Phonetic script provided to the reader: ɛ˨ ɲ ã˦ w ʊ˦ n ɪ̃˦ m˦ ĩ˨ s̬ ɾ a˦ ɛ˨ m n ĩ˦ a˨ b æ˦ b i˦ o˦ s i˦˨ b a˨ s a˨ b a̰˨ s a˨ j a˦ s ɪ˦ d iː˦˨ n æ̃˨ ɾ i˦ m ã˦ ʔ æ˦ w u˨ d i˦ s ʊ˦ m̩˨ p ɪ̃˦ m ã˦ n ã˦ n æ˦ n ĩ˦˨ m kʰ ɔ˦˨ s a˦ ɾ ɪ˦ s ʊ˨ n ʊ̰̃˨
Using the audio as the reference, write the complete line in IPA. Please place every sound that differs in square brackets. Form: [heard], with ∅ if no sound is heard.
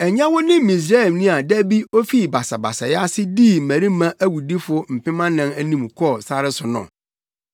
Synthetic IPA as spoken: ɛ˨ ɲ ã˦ w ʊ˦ n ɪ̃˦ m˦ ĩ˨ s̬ ɾ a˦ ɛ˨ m n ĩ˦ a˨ [d] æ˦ b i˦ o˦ [f] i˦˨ b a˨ s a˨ b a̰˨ s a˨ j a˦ s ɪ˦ d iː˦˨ [m] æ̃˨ ɾ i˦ m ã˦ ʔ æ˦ w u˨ d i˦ [f] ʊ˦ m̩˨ p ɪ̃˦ m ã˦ n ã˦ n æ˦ n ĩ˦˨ m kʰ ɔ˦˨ s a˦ ɾ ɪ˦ s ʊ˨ n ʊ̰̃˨